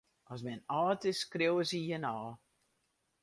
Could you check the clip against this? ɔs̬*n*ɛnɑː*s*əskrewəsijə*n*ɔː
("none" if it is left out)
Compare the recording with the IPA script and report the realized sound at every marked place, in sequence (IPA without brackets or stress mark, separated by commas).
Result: m, t, n